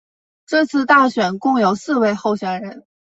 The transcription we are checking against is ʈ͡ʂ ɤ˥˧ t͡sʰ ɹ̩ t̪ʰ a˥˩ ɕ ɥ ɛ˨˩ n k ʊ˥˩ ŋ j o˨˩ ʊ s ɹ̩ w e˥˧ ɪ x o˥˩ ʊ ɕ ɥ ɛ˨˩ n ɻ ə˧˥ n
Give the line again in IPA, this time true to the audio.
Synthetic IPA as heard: ʈ͡ʂ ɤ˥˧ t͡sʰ ɹ̩ t̪ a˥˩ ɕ ɥ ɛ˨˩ n k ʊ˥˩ ŋ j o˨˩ ʊ s ɹ̩ w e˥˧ ɪ x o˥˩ ʊ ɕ ɥ ɛ˨˩ n ɻ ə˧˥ n